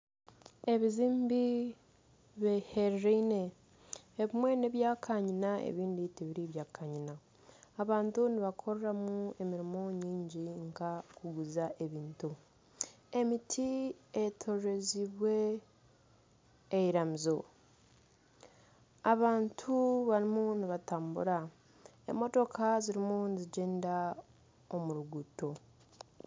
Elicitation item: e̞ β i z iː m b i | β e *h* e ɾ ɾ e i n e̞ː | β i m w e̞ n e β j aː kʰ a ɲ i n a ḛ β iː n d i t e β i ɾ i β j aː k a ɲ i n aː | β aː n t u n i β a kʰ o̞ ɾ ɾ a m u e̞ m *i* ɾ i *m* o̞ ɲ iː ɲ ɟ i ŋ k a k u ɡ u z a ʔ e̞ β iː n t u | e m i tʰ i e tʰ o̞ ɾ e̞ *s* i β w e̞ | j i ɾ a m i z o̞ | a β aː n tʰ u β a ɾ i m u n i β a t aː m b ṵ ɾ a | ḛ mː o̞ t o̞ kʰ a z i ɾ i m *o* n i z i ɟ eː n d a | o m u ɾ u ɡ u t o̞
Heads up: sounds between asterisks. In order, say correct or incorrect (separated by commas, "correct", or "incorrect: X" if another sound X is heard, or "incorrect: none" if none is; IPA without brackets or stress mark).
correct, correct, correct, incorrect: z, incorrect: u